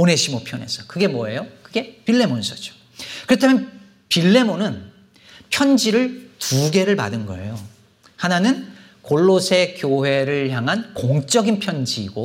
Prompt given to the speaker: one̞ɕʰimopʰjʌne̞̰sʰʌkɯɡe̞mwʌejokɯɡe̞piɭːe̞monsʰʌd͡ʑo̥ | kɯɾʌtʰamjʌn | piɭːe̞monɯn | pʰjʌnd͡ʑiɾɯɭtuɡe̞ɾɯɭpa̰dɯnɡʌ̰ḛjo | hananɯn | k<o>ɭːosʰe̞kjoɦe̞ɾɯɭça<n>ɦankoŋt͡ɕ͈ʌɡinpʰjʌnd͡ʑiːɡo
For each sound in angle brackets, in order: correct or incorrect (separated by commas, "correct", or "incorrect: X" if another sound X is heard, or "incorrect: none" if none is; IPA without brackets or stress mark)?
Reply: correct, incorrect: ŋ